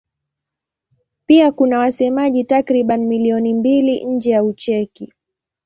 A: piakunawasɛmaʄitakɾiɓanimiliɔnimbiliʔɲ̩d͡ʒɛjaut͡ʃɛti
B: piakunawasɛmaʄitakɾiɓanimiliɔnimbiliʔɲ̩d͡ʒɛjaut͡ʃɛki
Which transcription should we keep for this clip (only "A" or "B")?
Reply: B